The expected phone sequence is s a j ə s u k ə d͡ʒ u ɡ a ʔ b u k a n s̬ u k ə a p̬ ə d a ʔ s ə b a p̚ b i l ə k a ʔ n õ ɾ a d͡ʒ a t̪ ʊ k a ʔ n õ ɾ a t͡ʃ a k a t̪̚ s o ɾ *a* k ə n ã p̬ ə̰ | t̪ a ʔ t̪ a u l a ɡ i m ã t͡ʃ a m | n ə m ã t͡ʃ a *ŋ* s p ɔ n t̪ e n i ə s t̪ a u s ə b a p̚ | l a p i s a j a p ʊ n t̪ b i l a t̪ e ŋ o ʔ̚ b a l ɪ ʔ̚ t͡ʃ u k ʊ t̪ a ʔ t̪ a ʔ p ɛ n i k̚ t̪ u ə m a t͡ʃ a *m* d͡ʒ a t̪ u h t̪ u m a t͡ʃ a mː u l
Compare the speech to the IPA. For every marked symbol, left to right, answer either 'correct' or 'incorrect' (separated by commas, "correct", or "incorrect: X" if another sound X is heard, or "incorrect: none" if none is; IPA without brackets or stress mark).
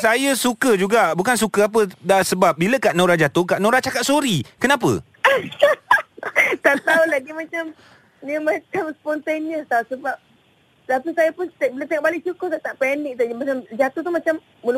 incorrect: i, incorrect: m, correct